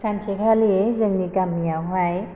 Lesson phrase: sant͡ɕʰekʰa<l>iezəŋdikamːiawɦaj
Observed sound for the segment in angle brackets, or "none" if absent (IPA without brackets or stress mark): l